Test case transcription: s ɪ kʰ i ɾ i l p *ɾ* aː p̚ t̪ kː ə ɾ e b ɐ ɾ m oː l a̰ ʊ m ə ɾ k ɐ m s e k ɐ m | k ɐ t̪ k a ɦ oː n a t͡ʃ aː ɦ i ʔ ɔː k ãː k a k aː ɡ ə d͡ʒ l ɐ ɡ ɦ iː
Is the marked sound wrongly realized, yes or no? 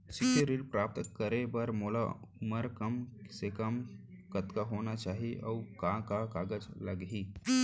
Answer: no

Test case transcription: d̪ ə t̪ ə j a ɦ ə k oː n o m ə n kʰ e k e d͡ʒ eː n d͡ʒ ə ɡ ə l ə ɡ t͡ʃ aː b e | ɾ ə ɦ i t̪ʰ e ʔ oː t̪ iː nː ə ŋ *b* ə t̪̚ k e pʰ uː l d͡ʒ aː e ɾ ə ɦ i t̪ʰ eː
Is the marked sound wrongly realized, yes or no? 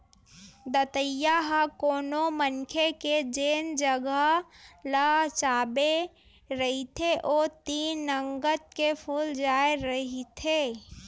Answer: yes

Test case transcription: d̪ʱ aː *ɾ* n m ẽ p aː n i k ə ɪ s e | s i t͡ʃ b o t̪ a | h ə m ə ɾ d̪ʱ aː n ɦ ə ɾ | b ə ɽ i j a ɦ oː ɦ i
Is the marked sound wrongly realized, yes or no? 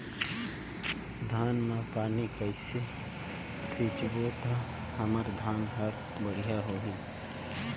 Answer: yes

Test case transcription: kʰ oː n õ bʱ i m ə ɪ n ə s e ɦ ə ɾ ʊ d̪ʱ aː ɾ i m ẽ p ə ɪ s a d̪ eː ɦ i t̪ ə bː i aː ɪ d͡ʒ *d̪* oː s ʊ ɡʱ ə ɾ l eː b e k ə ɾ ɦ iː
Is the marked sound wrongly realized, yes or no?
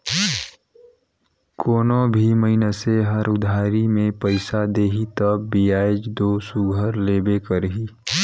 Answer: no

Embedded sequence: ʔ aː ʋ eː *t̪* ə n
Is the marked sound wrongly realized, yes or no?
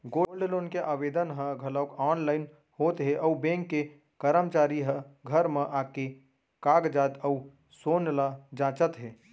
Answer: yes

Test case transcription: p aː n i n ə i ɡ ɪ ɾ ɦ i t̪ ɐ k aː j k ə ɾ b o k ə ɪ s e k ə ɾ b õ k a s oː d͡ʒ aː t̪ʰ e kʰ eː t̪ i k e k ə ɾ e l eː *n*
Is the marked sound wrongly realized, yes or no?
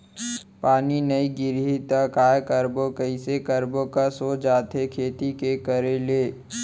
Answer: yes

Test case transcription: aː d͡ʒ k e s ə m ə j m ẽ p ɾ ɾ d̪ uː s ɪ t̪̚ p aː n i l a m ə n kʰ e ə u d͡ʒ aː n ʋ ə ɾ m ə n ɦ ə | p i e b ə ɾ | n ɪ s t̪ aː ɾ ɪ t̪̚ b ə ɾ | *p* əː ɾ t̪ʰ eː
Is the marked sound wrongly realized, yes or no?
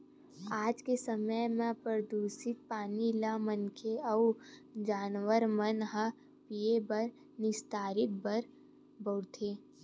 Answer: yes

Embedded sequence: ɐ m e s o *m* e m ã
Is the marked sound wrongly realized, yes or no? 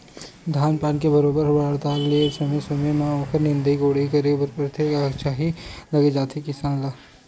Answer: no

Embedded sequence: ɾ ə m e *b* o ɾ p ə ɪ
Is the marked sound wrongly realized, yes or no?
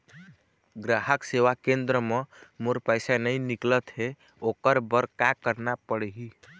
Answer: yes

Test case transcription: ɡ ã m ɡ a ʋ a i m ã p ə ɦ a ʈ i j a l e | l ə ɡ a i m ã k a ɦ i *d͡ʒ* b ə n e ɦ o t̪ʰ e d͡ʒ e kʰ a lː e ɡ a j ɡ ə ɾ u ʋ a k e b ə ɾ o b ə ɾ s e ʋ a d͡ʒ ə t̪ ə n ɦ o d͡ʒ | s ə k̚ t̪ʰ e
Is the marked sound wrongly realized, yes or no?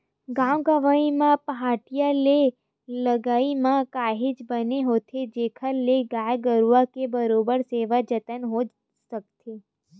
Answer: no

